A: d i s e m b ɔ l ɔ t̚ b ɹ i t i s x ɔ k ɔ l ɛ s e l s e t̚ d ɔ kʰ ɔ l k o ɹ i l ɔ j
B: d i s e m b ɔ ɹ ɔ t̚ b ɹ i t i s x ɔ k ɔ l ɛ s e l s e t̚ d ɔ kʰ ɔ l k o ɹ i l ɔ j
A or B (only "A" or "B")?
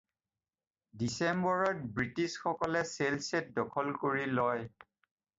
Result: B